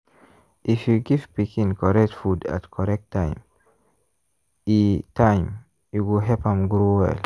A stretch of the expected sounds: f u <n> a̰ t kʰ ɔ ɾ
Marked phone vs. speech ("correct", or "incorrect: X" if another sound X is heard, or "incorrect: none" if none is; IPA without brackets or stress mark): incorrect: d